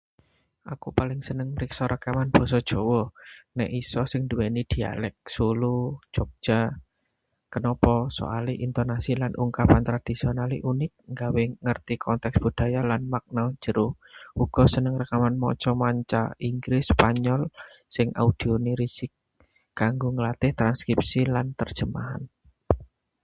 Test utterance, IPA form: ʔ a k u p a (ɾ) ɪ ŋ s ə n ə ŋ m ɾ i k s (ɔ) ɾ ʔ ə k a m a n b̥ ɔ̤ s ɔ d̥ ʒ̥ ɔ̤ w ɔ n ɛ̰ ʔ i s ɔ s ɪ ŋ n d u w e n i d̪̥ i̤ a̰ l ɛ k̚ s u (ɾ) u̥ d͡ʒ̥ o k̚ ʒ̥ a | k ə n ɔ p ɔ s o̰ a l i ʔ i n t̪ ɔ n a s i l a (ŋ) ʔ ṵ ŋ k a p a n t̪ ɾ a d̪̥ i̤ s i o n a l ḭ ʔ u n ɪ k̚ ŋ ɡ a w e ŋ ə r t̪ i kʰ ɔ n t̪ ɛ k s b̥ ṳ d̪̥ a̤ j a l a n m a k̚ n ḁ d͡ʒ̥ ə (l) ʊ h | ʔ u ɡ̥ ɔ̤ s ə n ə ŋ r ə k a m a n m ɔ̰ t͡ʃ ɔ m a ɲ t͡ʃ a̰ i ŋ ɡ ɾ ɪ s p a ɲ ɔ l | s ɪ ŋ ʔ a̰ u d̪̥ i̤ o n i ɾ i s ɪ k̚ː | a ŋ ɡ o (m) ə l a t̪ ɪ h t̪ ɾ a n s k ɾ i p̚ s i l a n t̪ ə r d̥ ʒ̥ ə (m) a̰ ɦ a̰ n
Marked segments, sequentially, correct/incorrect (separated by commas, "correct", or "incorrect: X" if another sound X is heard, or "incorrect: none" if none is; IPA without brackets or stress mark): incorrect: l, correct, incorrect: l, incorrect: n, incorrect: ɾ, incorrect: ŋ, correct